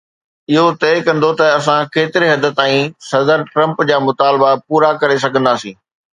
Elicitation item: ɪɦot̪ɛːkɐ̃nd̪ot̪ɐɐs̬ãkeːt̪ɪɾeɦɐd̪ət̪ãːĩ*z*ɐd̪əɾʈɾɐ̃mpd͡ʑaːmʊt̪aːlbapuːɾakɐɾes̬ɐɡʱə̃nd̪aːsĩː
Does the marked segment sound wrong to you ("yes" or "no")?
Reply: yes